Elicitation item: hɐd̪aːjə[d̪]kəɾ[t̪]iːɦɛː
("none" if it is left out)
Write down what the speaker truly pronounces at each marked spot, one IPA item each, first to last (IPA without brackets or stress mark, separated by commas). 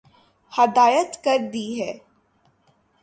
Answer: t̪, d̪